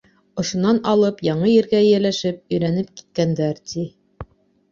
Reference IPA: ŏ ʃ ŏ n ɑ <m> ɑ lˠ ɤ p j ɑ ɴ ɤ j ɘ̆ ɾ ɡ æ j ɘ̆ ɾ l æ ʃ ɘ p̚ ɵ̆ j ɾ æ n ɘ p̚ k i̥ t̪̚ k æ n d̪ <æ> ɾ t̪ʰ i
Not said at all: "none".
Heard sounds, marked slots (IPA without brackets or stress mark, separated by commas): n, æ